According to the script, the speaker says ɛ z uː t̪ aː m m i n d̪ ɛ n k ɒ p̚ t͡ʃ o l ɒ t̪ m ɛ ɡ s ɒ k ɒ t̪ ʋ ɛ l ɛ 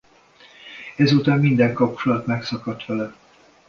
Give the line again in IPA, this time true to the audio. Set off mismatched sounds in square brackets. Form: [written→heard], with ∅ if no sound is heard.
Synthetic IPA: ɛ z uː t̪ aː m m i n d̪ ɛ [n→ŋ] k ɒ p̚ t͡ʃ o l ɒ t̪ m ɛ [ɡ→k] s ɒ k ɒ t̪ ʋ ɛ l ɛ

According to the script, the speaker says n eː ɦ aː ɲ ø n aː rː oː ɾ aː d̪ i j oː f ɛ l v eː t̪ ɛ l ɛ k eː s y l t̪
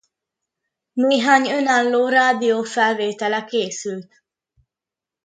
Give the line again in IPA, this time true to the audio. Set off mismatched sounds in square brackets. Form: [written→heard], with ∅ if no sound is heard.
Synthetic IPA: n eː ɦ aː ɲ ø n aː [rː→lː] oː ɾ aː d̪ i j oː f ɛ l v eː t̪ ɛ l ɛ k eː s y l t̪

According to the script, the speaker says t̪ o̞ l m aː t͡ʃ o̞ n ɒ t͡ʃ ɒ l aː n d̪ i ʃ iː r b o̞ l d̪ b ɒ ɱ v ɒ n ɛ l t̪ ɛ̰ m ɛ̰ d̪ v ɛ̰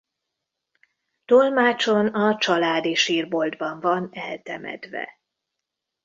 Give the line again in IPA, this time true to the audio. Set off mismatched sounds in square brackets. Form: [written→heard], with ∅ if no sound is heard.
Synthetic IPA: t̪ o̞ l m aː t͡ʃ o̞ n ɒ t͡ʃ ɒ l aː [n→∅] d̪ i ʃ iː r b o̞ l d̪ b ɒ ɱ v ɒ n ɛ l t̪ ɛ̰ m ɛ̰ d̪ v ɛ̰

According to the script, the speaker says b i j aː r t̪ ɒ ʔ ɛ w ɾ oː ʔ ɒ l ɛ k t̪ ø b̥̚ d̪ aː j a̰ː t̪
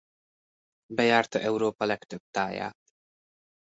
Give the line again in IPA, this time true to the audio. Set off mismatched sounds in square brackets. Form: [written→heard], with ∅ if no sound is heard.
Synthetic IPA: b [i→ɛ] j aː r t̪ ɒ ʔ ɛ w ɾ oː [ʔ→p] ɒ l ɛ k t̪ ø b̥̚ [d̪→t̪] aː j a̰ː t̪

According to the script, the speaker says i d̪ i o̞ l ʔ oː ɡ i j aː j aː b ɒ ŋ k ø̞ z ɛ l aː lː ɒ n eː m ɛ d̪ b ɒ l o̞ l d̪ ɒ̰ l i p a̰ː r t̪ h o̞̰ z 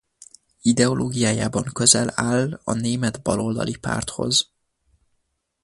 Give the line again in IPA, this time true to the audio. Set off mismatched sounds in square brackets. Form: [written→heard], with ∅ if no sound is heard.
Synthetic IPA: i d̪ [i→ɛ] o̞ l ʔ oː ɡ i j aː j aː b ɒ ŋ k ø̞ z ɛ l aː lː ɒ n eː m ɛ d̪ b ɒ l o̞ l d̪ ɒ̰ l i p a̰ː r t̪ h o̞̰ z

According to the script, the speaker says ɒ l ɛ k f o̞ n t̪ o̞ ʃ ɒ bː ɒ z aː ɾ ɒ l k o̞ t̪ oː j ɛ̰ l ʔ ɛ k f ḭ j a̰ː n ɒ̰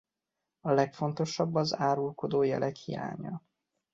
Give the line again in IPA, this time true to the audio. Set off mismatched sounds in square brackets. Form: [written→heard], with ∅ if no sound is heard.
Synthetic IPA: ɒ l ɛ k f o̞ n t̪ o̞ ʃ ɒ bː ɒ z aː ɾ [ɒ→u] l k o̞ [t̪→d̪] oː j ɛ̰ l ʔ ɛ k [f→h] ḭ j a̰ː [n→ɲ] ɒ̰

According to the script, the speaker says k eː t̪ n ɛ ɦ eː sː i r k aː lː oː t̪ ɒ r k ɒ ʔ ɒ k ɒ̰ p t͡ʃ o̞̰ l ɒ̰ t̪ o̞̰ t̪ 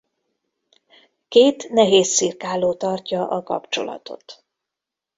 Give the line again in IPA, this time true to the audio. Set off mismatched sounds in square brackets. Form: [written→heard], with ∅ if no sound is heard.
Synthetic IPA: k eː t̪ n ɛ ɦ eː sː i r k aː [lː→l] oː t̪ ɒ r [k→c] ɒ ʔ ɒ k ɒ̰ p t͡ʃ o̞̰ l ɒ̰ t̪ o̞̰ t̪

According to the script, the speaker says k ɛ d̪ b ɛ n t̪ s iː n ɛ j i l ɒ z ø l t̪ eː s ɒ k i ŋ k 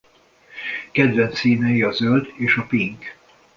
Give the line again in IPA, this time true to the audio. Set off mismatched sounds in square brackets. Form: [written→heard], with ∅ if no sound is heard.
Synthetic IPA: k ɛ d̪ [b→v] ɛ n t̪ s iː n ɛ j i [l→∅] ɒ z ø l [t̪→d̪] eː [s→ʃ] ɒ [k→p] i ŋ k

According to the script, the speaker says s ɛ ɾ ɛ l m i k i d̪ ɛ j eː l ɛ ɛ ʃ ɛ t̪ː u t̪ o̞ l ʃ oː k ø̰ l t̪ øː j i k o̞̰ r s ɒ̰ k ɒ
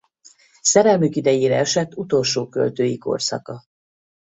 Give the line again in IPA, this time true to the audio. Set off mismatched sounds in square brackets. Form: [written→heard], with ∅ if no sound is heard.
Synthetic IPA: s ɛ ɾ ɛ l m [i→y] k i d̪ ɛ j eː [l→ɾ] ɛ ɛ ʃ ɛ t̪ː u t̪ o̞ l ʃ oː k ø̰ l t̪ øː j i k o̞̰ r s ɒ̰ k ɒ

